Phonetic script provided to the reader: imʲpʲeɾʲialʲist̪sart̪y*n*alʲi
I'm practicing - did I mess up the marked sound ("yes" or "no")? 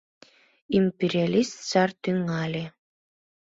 yes